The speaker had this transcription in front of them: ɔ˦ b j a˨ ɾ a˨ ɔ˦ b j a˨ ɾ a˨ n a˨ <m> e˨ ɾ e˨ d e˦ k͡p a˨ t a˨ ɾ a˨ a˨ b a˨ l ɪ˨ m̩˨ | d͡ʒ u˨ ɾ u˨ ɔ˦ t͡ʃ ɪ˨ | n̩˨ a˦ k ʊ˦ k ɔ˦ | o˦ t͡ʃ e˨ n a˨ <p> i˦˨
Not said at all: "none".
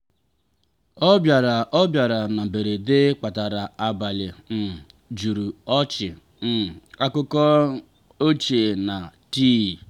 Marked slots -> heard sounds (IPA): b, t

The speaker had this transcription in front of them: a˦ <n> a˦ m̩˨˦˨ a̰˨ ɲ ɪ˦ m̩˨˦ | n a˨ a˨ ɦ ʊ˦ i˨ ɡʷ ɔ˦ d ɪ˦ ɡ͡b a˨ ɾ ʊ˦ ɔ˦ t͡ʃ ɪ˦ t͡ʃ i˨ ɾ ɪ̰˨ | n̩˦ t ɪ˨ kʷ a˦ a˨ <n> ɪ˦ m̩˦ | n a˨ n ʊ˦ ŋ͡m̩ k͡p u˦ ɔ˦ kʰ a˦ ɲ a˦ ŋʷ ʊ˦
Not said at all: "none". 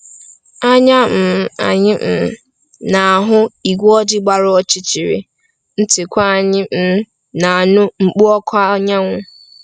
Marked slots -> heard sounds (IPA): ɲ, ɲ

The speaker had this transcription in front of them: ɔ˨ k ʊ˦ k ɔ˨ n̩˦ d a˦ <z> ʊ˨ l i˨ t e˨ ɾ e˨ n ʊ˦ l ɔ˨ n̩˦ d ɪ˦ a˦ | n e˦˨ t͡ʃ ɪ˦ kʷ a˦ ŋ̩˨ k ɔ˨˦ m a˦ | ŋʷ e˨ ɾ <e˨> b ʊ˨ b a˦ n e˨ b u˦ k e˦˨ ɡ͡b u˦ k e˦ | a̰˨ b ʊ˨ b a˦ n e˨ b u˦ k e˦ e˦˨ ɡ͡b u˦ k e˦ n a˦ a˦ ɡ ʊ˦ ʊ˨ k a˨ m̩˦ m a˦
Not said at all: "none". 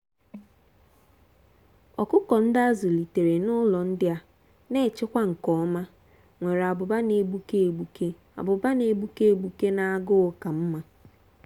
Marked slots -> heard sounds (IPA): z, a˨

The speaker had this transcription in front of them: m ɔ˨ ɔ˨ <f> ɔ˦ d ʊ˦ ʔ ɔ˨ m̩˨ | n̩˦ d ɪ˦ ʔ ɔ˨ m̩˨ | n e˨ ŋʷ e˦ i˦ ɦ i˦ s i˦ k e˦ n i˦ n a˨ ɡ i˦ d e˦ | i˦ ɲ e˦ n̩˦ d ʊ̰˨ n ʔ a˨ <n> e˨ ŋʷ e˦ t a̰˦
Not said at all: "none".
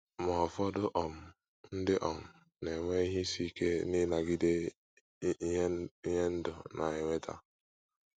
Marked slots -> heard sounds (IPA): f, none

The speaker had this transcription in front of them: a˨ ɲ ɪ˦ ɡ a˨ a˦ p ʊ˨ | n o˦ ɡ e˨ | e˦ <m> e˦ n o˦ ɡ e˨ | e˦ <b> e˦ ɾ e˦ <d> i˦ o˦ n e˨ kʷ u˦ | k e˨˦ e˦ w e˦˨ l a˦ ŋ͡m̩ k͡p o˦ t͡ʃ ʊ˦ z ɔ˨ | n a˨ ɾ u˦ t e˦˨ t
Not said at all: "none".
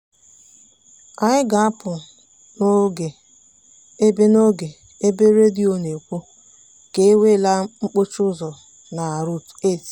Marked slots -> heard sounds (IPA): b, b, d

